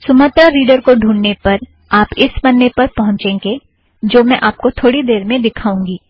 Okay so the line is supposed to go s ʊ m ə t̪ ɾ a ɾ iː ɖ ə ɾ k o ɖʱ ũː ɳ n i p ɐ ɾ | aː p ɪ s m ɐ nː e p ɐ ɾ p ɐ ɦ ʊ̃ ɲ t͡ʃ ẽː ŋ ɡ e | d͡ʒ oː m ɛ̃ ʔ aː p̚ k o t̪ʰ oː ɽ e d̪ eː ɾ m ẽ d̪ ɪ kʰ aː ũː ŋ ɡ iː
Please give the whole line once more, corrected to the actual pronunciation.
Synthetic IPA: s ʊ m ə t̪ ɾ a ɾ iː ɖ ə ɾ k o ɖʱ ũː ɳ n e p ɐ ɾ | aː p ɪ s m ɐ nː e p ɐ ɾ p ɐ ɦ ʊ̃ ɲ t͡ʃ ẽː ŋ ɡ e | d͡ʒ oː m ɛ̃ ʔ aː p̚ k o t̪ʰ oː ɽ i d̪ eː ɾ m ẽ d̪ ɪ kʰ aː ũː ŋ ɡ iː